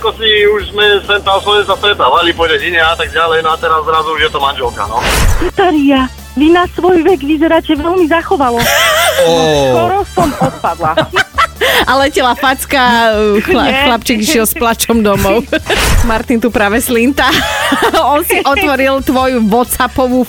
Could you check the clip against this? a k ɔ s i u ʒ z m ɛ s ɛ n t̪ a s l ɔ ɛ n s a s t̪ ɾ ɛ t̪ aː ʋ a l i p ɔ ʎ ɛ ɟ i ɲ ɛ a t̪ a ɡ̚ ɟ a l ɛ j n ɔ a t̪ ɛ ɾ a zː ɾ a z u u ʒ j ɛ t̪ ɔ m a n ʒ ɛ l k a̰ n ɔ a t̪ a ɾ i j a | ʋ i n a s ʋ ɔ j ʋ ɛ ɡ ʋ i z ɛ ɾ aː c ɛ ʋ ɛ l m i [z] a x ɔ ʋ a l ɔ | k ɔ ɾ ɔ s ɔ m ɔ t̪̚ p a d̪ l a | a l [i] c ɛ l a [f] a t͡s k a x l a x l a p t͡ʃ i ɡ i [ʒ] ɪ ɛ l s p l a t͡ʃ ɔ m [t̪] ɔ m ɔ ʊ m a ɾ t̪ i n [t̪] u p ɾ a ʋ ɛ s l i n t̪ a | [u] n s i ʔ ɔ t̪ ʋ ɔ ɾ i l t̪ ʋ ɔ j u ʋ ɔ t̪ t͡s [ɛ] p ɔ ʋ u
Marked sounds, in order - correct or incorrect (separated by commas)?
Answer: correct, incorrect, correct, incorrect, incorrect, correct, incorrect, incorrect